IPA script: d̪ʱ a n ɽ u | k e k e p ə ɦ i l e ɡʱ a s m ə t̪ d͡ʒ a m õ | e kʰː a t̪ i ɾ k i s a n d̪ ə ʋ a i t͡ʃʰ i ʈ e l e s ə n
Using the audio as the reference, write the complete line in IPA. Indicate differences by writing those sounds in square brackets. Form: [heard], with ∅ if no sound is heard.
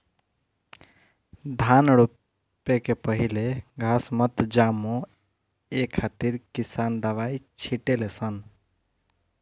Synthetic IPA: d̪ʱ a n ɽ u | [p] e k e p ə ɦ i l e ɡʱ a s m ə t̪ d͡ʒ a m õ | e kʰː a t̪ i ɾ k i s a n d̪ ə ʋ a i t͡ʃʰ i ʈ e l e s ə n